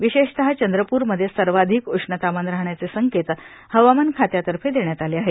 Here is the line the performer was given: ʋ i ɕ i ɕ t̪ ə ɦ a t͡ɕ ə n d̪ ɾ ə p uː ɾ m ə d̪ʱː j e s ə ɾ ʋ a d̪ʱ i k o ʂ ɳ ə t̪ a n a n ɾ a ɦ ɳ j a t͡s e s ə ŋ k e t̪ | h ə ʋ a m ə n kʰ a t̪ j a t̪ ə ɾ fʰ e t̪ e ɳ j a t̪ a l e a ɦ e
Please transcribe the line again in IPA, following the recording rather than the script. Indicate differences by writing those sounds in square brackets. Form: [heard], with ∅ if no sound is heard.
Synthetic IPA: ʋ i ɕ [e] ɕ t̪ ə ɦ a t͡ɕ ə n d̪ ɾ ə p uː ɾ m ə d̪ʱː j e s ə ɾ ʋ a d̪ʱ i k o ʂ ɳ ə t̪ a [m] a n ɾ a ɦ ɳ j a t͡s e s ə ŋ k e t̪ | h ə ʋ a m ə n kʰ a t̪ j a t̪ ə ɾ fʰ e [d̪] e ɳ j a t̪ a l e a ɦ e